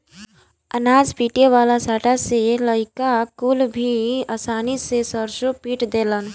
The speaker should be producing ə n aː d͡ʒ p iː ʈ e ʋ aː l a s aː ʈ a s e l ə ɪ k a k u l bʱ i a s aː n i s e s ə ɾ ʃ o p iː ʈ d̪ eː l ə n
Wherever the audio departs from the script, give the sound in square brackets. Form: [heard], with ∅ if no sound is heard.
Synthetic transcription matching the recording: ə n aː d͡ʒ p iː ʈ e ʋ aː l a s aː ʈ a s e l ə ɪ k a k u l bʱ i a s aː n i s e s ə ɾ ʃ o p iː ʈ d̪ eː l ə n